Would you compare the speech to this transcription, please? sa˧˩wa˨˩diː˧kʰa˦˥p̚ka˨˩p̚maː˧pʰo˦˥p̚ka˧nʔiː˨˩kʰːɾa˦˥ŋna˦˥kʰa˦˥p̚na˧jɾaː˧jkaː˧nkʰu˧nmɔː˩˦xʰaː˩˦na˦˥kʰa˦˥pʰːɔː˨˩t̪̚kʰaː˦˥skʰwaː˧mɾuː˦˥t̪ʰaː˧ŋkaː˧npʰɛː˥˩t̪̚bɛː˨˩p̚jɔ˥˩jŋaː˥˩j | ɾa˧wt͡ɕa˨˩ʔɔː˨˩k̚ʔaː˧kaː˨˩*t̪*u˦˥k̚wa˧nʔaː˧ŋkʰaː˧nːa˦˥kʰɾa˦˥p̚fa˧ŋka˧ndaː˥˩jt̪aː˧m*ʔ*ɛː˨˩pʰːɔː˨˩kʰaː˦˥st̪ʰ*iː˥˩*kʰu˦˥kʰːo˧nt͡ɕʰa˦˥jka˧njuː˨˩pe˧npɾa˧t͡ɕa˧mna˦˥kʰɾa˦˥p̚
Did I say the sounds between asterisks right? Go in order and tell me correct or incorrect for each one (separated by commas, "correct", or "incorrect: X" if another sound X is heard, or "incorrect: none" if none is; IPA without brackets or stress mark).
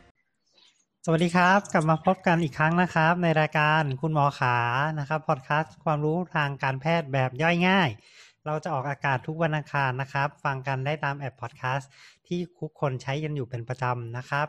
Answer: incorrect: t̪ʰ, correct, correct